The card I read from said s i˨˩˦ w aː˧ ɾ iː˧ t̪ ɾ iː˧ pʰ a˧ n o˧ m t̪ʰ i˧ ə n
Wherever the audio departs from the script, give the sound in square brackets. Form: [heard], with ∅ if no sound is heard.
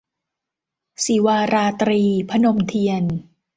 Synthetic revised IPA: s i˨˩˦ w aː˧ ɾ [aː˧] t̪ ɾ iː˧ pʰ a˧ n o˧ m t̪ʰ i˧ ə n

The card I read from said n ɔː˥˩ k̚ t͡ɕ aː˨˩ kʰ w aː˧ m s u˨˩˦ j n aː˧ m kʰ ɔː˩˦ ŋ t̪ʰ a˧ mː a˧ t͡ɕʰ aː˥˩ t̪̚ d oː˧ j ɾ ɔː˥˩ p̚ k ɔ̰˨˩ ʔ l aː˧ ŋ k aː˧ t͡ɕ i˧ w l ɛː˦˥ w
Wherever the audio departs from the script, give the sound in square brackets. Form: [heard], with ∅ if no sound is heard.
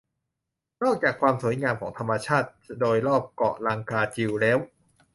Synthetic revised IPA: n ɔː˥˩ k̚ t͡ɕ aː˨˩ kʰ w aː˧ m s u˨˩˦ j [ŋ] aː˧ m kʰ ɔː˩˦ ŋ t̪ʰ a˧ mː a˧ t͡ɕʰ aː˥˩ t̪̚ d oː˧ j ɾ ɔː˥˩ p̚ k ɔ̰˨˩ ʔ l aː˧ ŋ k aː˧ t͡ɕ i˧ w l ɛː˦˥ w

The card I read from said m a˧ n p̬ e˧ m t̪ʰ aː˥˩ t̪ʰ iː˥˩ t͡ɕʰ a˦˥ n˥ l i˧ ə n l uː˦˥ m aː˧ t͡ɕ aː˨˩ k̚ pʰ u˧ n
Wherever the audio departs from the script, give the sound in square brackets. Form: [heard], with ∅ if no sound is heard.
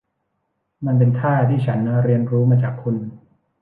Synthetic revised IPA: m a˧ n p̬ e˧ [n] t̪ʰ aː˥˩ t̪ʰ iː˥˩ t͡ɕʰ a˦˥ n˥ [ɾ] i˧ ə n [ɾ] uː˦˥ m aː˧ t͡ɕ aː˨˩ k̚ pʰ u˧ n

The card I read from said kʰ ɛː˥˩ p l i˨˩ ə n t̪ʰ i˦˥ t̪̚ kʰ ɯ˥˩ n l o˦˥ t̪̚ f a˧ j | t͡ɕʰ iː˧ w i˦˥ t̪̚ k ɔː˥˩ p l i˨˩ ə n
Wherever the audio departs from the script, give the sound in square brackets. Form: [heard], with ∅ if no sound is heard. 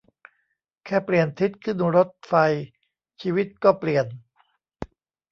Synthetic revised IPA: kʰ ɛː˥˩ p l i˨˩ ə n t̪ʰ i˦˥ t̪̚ kʰ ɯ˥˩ n [ɾ] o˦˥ t̪̚ f a˧ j | t͡ɕʰ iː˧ w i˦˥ t̪̚ k ɔː˥˩ p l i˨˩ ə n

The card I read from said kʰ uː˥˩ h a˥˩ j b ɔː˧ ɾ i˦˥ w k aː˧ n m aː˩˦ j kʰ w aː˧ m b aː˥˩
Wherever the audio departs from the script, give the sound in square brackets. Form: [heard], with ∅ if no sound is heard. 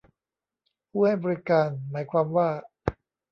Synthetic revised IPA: [pʰ] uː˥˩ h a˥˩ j b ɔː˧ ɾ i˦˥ [∅] k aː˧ n m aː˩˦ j kʰ w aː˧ m [w] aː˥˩

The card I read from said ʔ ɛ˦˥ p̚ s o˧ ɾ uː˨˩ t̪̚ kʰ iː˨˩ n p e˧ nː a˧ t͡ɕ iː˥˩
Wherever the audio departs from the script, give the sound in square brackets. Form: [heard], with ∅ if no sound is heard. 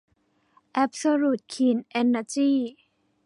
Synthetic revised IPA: ʔ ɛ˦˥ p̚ s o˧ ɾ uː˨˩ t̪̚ kʰ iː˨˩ n [ʔ] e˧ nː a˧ t͡ɕ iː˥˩

